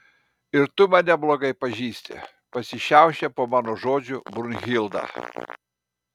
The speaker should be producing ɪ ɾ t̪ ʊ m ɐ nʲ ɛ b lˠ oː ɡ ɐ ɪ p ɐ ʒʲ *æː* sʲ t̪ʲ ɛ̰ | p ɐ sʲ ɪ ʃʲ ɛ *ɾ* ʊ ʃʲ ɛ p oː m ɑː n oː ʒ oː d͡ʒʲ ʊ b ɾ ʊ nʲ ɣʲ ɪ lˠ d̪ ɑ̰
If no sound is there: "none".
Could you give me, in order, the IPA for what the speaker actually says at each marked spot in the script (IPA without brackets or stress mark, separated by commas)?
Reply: iː, none